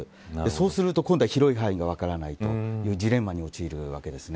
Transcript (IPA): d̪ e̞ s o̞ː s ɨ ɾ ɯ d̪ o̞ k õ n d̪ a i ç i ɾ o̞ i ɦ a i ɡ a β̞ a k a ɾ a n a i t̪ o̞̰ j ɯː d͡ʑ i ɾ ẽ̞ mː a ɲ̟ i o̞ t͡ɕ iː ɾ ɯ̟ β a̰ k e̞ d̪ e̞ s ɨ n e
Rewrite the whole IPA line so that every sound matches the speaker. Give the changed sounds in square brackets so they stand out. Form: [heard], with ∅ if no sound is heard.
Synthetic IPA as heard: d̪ e̞ s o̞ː s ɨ ɾ ɯ [t̪] o̞ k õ n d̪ a i ç i ɾ o̞ i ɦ a i ɡ a β̞ a k a ɾ a n a i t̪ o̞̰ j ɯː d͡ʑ i ɾ ẽ̞ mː a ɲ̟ i o̞ t͡ɕ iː ɾ ɯ̟ β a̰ k e̞ d̪ e̞ s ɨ n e